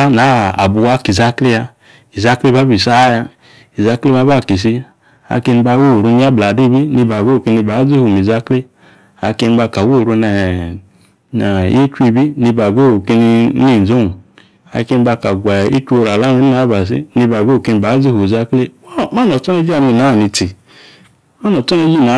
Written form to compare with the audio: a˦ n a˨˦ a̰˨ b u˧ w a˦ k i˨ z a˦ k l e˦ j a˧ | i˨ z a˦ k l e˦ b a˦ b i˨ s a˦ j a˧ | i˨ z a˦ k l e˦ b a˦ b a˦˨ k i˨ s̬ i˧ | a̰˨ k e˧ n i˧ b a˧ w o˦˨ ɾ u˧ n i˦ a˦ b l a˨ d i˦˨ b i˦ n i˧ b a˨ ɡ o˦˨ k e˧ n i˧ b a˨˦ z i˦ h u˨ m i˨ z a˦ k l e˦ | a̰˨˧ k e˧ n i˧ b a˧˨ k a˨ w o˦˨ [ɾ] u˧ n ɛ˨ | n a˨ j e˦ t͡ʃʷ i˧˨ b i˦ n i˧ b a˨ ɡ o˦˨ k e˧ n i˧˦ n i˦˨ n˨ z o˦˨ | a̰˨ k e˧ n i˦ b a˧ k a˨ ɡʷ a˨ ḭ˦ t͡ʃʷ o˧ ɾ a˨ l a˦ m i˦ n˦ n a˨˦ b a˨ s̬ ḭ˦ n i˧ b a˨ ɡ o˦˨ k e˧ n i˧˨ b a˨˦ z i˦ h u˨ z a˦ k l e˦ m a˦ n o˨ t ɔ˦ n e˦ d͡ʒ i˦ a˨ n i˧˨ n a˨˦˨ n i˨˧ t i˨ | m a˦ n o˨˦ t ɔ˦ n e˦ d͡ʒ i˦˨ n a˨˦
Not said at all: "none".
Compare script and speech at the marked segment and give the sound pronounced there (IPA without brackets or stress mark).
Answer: ɾ